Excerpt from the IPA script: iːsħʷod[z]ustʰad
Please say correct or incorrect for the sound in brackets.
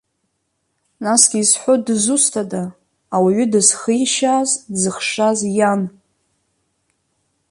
correct